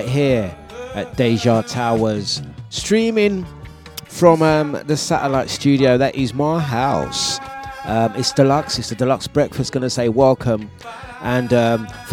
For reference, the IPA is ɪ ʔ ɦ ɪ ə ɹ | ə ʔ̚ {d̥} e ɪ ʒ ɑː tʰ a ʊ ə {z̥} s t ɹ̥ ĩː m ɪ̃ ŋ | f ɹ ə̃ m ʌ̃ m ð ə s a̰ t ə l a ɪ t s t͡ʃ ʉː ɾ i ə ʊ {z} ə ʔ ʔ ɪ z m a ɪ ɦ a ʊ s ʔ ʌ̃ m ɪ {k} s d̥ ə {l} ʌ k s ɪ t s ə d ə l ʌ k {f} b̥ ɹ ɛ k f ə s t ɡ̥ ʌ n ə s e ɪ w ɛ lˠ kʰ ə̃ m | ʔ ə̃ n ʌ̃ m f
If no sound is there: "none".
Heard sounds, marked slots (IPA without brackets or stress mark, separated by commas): d̥, z̥, ð, t, l, s